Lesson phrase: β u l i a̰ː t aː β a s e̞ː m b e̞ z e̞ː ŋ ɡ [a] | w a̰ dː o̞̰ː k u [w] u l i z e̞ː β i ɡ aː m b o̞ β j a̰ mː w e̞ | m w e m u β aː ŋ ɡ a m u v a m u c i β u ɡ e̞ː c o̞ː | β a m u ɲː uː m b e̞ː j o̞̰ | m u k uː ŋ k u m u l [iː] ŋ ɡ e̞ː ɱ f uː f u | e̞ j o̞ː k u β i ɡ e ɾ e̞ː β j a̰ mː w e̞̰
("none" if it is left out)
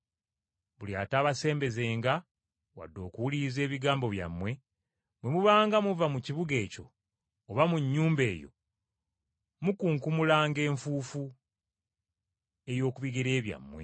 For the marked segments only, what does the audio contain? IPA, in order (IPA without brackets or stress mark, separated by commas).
a, w, aː